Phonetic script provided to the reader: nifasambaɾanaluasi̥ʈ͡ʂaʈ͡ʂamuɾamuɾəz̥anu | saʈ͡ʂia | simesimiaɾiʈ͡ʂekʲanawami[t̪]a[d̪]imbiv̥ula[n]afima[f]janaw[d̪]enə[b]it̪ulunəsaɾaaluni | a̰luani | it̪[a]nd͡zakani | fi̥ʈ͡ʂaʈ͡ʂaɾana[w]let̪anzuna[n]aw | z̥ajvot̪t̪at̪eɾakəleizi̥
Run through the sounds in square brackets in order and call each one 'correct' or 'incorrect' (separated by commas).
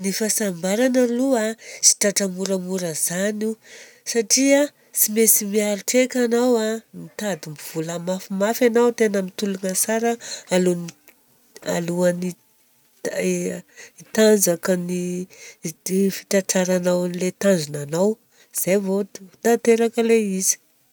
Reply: correct, correct, incorrect, correct, incorrect, incorrect, correct, correct, correct